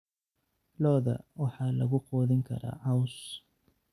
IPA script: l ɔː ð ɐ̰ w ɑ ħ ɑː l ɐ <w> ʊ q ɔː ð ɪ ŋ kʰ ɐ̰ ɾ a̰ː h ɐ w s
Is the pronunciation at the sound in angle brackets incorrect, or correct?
incorrect